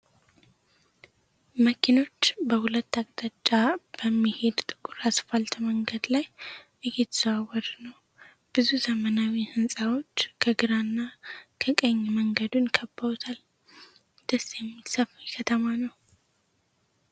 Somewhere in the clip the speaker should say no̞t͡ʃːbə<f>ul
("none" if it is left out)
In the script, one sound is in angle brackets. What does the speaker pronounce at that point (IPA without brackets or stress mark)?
h